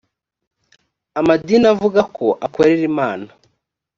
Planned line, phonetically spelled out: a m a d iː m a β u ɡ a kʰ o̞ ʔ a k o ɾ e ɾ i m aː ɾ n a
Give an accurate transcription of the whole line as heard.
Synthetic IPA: a m a d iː n a v u ɡ a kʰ o̞ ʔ a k o ɾ e ɾ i m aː n a